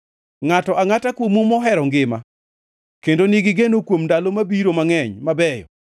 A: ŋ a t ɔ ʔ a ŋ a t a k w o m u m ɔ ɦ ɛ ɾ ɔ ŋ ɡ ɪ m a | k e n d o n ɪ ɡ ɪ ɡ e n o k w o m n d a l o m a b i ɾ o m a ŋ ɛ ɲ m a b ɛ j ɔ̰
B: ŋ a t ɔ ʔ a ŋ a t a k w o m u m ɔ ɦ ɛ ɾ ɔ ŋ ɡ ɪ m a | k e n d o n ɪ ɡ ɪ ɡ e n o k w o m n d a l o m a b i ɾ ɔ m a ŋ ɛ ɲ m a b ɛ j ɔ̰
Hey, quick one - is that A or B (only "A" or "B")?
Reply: A